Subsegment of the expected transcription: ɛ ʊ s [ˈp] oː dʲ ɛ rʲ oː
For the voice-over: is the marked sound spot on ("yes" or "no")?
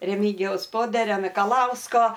yes